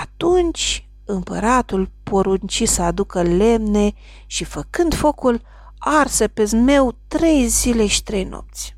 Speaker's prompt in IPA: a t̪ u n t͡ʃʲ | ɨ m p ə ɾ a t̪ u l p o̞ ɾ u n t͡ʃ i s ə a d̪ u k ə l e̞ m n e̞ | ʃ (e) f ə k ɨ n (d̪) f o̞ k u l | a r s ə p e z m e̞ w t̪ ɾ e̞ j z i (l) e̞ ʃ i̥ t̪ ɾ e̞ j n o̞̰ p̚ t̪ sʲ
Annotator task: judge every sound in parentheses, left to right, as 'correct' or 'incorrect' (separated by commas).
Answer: incorrect, correct, correct